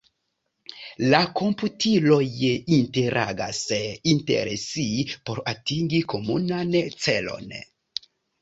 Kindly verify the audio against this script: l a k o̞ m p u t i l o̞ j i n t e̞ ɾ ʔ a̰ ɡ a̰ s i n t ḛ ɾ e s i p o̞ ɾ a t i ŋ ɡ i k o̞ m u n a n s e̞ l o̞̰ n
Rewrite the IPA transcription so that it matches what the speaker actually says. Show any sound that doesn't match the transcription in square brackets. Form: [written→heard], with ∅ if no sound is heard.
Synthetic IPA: l a k o̞ m p u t i l o̞ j i n t e̞ ɾ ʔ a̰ ɡ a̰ s i n t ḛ ɾ e s i p o̞ ɾ a t i ŋ ɡ i k o̞ m u n a n [s→t͡s] e̞ l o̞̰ n